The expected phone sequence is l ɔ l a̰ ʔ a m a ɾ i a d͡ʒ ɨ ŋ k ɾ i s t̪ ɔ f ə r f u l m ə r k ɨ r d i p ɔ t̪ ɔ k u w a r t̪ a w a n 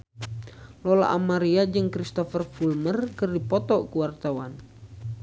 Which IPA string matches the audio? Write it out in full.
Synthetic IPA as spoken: l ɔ l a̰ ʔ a m a ɾ i a d͡ʒ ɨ ŋ k ɾ i s t̪ ɔ f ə r f u l m ə r k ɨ r d i p ɔ t̪ ɔ k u w a r t̪ a w a n

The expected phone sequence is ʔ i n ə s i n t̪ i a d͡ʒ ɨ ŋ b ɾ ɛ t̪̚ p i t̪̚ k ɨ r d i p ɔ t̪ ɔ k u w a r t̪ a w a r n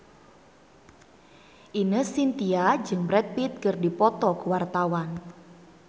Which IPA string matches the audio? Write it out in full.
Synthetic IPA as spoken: ʔ i n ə s i n t̪ i a d͡ʒ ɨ ŋ b ɾ ɛ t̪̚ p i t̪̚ k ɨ r d i p ɔ t̪ ɔ k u w a r t̪ a w a n

